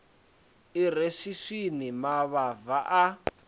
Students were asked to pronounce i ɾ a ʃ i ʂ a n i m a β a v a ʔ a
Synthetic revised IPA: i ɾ e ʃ i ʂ i n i m a β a v a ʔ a